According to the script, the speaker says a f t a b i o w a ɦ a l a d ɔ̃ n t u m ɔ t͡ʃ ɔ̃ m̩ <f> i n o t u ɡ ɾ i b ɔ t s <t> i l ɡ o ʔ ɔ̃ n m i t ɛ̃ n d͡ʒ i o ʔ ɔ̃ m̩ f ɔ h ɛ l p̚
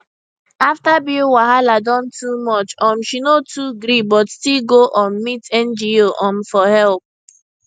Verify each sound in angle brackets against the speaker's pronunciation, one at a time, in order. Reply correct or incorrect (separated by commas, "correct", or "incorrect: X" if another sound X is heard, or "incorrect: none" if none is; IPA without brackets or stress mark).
incorrect: ʃ, correct